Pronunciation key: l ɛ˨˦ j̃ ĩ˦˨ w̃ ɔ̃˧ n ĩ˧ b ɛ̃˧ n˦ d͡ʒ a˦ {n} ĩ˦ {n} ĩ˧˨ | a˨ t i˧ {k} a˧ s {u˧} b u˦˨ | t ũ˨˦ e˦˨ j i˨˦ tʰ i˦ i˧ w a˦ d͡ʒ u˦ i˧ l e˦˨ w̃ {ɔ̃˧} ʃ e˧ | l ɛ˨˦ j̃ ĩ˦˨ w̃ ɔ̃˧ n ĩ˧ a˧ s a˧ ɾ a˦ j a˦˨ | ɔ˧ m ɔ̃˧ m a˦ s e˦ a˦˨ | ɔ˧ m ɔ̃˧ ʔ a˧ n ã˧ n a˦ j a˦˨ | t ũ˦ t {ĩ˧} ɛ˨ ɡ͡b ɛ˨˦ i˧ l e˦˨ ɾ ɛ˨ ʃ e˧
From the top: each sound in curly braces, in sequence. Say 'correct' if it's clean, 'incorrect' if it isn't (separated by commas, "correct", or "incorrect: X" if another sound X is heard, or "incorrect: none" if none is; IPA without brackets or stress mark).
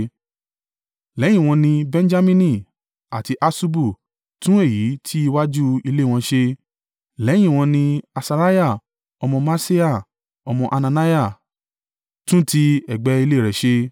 incorrect: m, correct, incorrect: ʔ, correct, correct, incorrect: i˧